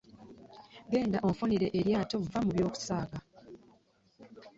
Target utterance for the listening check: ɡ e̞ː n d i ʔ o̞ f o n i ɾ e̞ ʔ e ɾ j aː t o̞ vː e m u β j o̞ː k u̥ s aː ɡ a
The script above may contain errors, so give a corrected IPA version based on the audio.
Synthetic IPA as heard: ɡ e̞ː n d a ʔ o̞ f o n i ɾ e̞ ʔ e ɾ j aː t o̞ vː a m u β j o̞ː k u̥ s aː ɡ a